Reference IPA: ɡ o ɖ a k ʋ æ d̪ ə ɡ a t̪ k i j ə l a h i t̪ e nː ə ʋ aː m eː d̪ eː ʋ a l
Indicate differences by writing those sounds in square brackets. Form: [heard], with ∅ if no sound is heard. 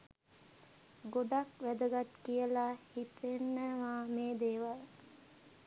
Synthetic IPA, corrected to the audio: ɡ o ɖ a k ʋ æ d̪ ə ɡ a t̪ k i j ə l a h i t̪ e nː ə ʋ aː m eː d̪ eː ʋ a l